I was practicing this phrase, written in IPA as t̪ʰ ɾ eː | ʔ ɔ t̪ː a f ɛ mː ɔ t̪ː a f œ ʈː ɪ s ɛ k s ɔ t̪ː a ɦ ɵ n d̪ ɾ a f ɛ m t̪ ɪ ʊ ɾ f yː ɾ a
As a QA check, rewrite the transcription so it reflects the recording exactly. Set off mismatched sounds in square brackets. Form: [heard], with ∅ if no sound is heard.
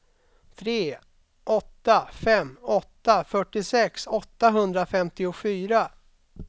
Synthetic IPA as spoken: t̪ʰ ɾ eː | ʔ ɔ t̪ː a f ɛ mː ɔ t̪ː a f œ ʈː ɪ s ɛ k s ɔ t̪ː a ɦ ɵ n d̪ ɾ a f ɛ m t̪ ɪ ʊ [∅] f yː ɾ a